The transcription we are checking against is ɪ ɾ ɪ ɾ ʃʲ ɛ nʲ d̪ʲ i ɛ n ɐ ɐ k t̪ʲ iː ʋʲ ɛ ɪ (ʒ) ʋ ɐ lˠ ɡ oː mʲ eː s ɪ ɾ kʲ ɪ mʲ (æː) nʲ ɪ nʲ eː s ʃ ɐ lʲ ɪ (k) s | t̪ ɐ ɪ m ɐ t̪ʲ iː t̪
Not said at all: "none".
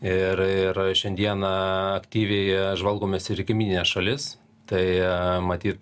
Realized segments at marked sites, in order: ʒ, iː, none

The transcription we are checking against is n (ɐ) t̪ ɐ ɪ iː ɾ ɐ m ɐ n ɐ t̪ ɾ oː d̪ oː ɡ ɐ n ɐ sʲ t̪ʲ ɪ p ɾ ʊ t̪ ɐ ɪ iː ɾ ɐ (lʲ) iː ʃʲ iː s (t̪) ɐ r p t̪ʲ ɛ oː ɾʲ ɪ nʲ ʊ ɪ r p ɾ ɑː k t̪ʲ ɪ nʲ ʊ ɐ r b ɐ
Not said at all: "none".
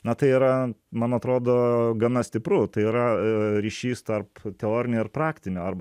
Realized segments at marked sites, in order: ɐ, ɾʲ, t̪

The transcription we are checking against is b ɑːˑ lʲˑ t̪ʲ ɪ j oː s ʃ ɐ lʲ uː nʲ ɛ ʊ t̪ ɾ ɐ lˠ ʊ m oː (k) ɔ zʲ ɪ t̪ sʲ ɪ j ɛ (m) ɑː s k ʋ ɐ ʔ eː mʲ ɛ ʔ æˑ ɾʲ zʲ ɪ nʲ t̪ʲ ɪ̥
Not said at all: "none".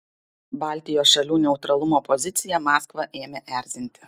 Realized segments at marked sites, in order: p, m

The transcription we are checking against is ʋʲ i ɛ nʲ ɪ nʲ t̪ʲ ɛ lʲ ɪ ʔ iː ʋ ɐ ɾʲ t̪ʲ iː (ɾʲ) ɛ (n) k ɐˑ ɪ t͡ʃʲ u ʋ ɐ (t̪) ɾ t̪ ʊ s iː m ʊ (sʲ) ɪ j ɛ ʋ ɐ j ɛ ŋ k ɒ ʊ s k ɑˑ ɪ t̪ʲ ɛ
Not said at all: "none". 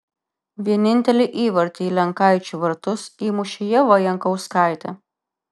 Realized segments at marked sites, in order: lʲ, ŋ, none, ʃʲ

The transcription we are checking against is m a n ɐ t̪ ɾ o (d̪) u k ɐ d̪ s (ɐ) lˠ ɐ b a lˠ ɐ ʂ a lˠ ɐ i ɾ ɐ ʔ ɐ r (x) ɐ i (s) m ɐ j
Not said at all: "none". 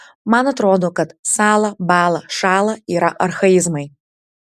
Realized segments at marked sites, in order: d̪, a, x, z

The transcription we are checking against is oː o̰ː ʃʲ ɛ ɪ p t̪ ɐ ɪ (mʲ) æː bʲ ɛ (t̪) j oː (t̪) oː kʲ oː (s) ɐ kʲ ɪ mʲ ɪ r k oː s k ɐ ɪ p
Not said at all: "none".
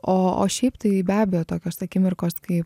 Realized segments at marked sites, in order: bʲ, none, t̪, s

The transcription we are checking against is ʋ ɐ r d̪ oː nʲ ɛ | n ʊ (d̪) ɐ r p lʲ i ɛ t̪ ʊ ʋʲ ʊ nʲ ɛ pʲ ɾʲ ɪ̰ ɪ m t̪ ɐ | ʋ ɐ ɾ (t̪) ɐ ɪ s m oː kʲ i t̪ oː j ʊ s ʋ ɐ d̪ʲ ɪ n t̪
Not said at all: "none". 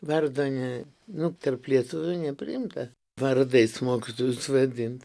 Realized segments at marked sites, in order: t̪, d̪

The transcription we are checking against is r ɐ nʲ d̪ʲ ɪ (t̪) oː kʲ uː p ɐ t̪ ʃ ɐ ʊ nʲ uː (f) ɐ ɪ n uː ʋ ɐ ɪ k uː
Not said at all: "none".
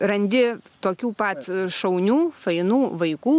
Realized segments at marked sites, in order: t̪, f

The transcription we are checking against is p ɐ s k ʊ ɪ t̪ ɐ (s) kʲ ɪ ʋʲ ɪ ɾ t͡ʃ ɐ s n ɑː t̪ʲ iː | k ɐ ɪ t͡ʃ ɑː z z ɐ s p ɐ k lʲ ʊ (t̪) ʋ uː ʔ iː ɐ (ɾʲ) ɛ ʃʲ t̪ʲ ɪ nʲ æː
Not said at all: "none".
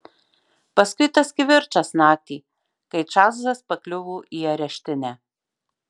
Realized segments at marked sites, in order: s, none, ɾʲ

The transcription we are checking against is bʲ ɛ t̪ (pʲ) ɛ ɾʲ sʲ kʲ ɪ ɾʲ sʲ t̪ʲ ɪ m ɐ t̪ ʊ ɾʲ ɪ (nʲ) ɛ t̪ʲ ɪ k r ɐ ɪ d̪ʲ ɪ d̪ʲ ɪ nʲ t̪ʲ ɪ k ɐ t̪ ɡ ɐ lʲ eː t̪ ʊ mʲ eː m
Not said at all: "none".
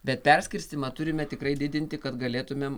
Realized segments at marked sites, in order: pʲ, mʲ

